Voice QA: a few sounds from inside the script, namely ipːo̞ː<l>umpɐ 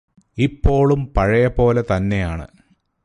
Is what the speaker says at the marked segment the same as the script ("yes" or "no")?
no